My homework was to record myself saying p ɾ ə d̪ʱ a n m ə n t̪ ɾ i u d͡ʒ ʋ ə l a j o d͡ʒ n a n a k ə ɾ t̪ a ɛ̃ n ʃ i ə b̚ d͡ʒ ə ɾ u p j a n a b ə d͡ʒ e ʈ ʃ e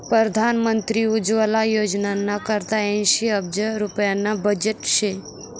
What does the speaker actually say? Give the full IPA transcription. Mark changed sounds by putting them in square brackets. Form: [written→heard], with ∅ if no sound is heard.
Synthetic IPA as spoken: p ɾ ə d̪ʱ a n m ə n t̪ ɾ i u d͡ʒ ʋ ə l a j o d͡ʒ n a n a k ə ɾ t̪ a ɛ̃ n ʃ i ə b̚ d͡ʒ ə ɾ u p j a n a b ə d͡ʒ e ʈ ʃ e